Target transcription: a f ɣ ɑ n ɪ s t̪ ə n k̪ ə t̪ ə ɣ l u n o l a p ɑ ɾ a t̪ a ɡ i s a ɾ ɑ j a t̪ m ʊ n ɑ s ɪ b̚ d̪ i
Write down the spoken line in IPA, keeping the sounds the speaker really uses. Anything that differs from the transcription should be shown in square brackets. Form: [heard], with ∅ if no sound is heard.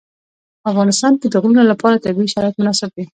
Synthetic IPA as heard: a f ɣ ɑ n ɪ s t̪ [ɑ] n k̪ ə [d̪] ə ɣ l u n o l a p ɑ ɾ a t̪ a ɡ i [ʃ] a ɾ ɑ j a t̪ m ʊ n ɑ s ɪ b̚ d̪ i